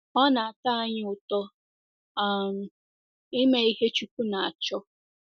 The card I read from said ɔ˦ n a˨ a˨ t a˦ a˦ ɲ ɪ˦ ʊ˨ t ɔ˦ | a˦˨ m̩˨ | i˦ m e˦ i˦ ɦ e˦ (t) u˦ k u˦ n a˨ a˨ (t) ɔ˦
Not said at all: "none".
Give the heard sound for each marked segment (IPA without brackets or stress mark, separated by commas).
t͡ʃ, t͡ʃ